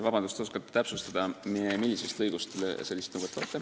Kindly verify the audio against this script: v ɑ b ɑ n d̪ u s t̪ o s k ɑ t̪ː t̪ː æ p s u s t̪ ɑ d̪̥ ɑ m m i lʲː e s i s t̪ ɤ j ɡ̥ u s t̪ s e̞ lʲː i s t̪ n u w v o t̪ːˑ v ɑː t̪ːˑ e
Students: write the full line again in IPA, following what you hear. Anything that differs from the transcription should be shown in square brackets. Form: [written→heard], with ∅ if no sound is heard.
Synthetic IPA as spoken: v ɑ b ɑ n d̪ u s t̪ o s k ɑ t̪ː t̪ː æ p s u s t̪ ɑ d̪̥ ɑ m m i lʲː [e→i] s [i→e] s t̪ ɤ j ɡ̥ u s t̪ s e̞ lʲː i s t̪ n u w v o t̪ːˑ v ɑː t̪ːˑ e